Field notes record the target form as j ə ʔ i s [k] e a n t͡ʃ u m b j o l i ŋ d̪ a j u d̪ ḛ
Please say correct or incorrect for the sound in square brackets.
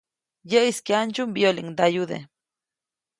correct